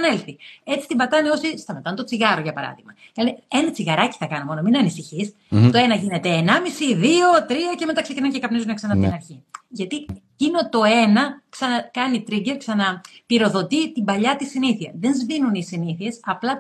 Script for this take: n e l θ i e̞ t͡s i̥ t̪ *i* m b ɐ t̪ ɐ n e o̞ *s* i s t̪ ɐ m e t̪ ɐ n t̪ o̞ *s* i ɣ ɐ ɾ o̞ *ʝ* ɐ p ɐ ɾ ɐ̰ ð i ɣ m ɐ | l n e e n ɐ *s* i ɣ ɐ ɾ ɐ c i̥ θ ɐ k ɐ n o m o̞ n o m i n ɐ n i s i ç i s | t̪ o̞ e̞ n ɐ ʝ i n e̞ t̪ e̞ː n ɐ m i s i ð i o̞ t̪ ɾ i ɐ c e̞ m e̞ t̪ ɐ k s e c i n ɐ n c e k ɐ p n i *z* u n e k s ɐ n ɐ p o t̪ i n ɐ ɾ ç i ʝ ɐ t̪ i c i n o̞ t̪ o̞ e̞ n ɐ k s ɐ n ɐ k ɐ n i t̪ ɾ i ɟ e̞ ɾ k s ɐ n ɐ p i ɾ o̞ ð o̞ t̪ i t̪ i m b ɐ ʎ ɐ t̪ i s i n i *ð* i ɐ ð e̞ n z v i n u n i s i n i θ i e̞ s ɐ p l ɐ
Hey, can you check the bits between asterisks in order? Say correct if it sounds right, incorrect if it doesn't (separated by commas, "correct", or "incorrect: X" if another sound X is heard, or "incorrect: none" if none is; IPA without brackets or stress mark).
correct, correct, incorrect: t͡s, correct, incorrect: t͡s, correct, incorrect: θ